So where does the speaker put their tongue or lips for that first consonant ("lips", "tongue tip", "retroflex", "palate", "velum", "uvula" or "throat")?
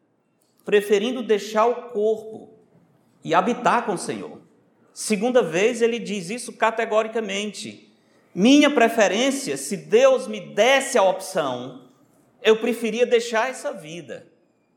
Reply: lips